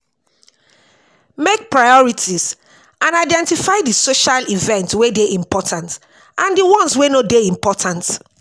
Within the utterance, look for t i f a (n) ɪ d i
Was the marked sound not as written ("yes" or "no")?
yes